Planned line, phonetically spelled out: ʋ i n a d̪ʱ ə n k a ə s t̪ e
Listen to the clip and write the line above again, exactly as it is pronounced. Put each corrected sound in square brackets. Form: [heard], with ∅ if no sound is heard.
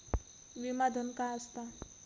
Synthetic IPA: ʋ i [m] a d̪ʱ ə n k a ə s t̪ [a]